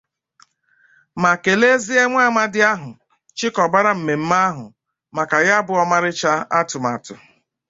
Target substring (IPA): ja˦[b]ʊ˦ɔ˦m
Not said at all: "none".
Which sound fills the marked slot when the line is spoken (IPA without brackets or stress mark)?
b